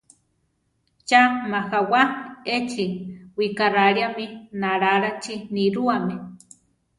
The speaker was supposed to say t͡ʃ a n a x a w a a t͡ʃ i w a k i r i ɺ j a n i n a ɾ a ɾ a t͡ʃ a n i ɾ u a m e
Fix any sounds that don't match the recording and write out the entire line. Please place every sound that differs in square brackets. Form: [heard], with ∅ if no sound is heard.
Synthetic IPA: t͡ʃ a [m] a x a w a [e] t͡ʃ i w [i] k [a] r [a] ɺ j a [m] i n a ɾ a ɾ a t͡ʃ [i] n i ɾ u a m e